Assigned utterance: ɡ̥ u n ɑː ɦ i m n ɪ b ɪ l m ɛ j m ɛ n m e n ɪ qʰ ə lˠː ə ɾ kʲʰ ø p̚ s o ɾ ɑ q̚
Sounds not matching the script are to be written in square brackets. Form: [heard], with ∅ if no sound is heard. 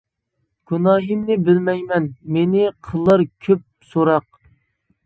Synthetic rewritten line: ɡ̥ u n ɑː ɦ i m n ɪ b ɪ l m ɛ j m ɛ n m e n ɪ qʰ ə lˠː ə ɾ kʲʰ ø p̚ s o ɾ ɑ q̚